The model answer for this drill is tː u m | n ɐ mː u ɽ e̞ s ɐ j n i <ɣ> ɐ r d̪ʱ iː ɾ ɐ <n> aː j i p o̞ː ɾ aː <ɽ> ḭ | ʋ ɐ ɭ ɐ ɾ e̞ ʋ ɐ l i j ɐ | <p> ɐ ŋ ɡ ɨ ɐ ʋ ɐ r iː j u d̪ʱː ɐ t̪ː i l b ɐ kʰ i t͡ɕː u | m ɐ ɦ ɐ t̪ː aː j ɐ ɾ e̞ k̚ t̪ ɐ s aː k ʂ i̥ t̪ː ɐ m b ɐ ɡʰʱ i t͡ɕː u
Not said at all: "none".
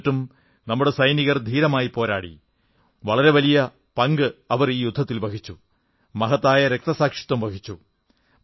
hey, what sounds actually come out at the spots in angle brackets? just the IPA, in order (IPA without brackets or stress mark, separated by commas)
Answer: ɣ, m, ɽ, p